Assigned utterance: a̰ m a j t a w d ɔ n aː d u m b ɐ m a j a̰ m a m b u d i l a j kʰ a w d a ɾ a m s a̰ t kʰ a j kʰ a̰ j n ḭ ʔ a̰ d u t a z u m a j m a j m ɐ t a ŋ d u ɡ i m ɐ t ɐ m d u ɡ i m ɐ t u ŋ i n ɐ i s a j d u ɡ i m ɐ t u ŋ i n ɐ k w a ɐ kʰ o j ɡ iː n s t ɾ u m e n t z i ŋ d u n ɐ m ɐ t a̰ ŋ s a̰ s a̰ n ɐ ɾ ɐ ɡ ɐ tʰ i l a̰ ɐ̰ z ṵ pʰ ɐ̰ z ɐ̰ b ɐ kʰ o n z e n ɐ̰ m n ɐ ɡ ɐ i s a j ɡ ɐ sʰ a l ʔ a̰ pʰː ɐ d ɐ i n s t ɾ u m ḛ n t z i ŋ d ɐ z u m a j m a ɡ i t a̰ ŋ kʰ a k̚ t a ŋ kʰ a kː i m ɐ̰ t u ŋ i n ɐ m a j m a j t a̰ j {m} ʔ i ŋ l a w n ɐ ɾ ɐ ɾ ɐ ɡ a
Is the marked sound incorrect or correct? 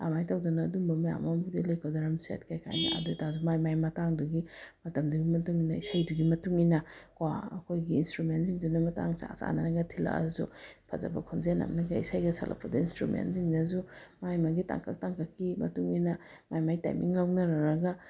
correct